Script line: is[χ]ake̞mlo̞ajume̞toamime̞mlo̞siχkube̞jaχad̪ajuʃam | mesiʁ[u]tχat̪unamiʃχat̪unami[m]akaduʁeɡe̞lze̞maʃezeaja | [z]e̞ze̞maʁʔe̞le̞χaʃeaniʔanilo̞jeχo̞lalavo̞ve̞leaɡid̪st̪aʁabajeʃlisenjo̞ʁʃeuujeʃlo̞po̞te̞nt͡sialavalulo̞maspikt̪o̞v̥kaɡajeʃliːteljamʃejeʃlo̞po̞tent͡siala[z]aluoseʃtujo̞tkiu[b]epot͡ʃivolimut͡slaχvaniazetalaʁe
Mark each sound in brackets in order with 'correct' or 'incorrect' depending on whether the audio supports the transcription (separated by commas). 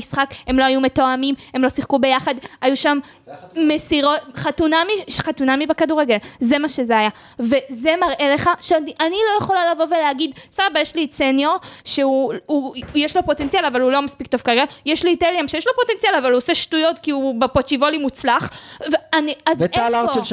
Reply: correct, incorrect, incorrect, incorrect, incorrect, correct